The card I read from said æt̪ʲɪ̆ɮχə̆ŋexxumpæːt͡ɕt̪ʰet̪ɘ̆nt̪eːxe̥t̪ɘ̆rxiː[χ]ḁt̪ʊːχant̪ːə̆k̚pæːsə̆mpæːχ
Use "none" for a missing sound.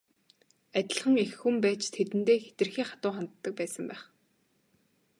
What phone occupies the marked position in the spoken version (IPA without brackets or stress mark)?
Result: χ